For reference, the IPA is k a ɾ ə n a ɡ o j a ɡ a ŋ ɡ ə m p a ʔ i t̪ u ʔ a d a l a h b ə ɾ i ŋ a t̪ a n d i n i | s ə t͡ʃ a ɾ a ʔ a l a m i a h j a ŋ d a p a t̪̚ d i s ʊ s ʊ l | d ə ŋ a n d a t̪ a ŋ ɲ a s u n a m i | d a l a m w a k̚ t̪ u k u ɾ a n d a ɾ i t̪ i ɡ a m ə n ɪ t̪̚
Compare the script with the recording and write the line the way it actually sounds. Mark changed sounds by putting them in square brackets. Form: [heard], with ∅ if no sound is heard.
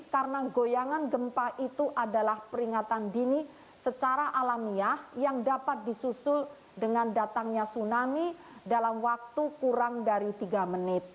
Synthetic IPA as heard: k a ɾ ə n a ɡ o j a [ŋ] a [n] ɡ ə m p a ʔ i t̪ u ʔ a d a l a h [p] ə ɾ i ŋ a t̪ a n d i n i | s ə t͡ʃ a ɾ a ʔ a l a m i a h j a ŋ d a p a t̪̚ d i s [u] s ʊ l | d ə ŋ a n d a t̪ a ŋ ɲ a s u n a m i | d a l a m w a k̚ t̪ u k u ɾ a [ŋ] d a ɾ i t̪ i ɡ a m ə n ɪ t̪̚